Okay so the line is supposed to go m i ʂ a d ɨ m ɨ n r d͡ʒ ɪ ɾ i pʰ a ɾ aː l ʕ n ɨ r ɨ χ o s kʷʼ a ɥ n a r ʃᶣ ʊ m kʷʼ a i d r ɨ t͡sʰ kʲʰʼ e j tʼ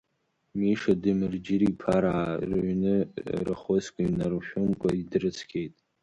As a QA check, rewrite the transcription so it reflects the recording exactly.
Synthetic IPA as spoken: m i ʂ a d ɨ m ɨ r d͡ʒ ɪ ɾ i pʰ a ɾ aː r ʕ n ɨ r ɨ χ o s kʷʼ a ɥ n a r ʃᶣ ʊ m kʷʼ a i d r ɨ t͡sʰ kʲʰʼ e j tʼ